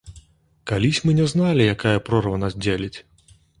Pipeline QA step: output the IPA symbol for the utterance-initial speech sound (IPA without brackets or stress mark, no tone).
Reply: k